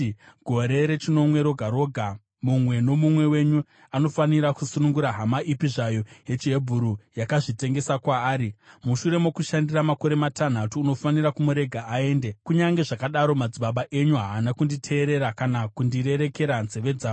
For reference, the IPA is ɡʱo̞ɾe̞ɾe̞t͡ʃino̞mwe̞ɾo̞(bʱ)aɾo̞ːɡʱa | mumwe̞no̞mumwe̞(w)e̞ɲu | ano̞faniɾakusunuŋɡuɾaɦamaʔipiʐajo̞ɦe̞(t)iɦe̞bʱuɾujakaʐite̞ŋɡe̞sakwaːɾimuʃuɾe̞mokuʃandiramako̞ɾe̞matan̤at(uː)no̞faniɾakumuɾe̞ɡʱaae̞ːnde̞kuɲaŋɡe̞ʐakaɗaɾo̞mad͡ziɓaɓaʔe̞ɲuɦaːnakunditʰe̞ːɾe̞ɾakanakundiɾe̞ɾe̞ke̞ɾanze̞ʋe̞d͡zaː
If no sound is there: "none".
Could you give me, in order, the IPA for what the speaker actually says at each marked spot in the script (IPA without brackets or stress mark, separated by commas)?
ɡʱ, w, t͡ʃ, uː